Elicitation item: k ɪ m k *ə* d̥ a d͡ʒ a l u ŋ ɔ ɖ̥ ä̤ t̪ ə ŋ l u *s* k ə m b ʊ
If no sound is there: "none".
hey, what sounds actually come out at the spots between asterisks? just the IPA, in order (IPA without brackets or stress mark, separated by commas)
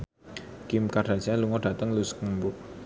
a, s